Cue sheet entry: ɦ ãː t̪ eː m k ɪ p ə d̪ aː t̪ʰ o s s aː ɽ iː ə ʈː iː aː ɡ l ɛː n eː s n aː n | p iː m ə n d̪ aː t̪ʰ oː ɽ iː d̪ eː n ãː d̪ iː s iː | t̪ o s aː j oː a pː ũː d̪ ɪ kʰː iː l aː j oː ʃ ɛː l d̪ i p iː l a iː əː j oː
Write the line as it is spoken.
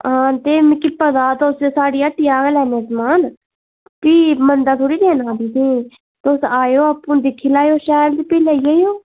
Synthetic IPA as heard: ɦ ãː t̪ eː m k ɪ p ə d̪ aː t̪ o s s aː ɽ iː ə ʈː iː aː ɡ l ɛː n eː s m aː n | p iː m ə n d̪ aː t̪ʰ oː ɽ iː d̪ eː n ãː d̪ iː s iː | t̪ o s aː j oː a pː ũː d̪ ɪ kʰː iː l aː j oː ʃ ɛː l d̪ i p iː l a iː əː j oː